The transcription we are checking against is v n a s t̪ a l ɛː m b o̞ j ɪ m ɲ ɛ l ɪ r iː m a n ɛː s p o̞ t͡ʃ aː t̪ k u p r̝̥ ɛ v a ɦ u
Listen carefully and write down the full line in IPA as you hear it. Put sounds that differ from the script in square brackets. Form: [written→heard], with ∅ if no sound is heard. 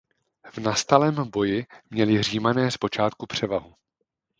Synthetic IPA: v n a s t̪ a l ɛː m b o̞ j ɪ m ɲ ɛ l ɪ r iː m a n ɛː s p o̞ t͡ʃ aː t̪ k u p r̝̥ ɛ v a ɦ u